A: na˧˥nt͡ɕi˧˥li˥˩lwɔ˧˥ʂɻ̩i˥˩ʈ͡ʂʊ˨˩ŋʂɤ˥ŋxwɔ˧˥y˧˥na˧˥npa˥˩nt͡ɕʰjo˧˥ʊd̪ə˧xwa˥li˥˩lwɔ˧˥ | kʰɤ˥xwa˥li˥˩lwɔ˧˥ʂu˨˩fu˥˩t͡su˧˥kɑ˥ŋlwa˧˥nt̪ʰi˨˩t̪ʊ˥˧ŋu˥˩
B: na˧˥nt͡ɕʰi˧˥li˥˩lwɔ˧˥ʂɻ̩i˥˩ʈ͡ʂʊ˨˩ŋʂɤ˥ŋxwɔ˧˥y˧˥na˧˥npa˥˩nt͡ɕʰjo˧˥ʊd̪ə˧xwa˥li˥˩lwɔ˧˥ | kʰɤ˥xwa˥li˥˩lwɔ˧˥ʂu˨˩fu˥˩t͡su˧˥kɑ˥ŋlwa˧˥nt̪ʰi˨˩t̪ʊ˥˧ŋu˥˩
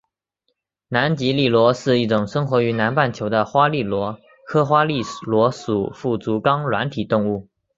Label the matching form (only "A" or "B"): A